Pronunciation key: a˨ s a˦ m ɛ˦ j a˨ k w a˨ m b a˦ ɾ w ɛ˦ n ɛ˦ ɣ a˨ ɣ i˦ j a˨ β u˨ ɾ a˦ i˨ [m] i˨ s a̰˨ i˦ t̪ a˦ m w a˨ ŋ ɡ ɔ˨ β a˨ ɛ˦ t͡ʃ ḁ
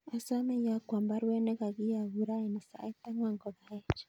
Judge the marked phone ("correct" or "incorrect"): incorrect